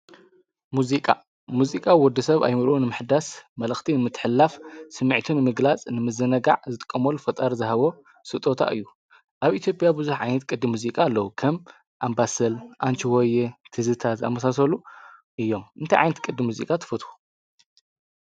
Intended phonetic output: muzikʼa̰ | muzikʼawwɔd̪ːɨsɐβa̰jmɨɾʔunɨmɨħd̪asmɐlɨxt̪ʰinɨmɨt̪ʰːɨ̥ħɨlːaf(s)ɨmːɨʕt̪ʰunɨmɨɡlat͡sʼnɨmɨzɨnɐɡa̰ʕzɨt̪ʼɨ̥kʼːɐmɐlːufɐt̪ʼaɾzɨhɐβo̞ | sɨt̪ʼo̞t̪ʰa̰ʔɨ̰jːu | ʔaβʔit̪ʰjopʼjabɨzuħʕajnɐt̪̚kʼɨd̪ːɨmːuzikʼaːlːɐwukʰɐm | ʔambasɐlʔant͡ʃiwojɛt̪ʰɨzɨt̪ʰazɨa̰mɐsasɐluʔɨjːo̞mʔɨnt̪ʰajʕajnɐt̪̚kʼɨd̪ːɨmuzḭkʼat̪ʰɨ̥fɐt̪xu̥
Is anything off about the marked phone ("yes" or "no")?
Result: no